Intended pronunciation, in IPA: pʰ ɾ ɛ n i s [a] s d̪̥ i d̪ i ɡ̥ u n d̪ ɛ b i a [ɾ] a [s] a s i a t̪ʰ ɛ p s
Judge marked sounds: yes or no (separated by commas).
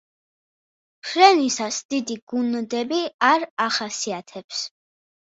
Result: yes, yes, no